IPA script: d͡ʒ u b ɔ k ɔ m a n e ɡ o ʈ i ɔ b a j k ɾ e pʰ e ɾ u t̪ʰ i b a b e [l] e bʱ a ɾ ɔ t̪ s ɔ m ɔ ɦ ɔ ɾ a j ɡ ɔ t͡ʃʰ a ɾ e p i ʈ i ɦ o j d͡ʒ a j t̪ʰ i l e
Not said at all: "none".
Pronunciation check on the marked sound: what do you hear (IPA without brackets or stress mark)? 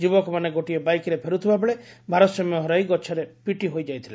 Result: ɭ